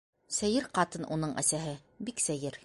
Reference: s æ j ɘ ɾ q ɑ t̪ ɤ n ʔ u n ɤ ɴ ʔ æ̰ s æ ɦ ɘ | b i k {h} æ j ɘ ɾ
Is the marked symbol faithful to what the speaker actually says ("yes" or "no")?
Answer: no